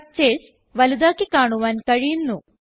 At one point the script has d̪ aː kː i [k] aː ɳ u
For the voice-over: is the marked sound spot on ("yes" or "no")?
yes